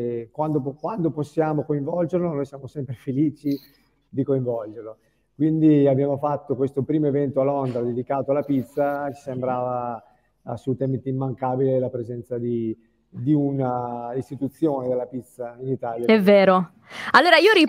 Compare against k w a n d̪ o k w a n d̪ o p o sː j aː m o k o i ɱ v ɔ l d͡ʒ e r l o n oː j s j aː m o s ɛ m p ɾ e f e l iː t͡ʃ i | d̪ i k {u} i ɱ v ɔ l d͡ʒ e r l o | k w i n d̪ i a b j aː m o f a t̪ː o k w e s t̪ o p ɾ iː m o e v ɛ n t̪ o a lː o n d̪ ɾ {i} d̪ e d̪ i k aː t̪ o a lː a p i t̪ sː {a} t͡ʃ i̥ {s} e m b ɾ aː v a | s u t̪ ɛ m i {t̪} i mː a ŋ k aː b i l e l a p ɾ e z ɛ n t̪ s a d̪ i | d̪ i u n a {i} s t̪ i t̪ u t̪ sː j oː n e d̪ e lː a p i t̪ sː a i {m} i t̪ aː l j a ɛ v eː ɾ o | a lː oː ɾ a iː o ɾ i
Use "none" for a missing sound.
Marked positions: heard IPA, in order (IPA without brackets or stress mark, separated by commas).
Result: o, a, a, s, t̪, i, n